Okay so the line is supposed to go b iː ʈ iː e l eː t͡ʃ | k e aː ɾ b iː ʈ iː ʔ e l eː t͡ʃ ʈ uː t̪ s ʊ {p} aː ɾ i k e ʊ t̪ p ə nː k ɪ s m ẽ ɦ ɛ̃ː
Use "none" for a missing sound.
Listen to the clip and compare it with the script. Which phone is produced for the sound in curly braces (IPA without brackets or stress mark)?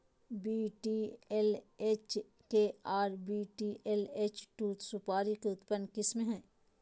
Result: p